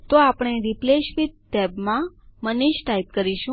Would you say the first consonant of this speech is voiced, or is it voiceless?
voiceless